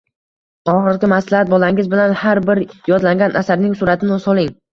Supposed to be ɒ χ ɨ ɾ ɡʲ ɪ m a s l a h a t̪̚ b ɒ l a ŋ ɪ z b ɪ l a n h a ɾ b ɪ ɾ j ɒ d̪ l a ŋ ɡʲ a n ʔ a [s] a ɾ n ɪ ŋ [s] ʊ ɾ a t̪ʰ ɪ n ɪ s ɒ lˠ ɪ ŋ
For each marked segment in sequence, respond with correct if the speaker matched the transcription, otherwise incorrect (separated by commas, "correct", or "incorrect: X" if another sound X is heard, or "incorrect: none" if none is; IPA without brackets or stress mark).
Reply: correct, correct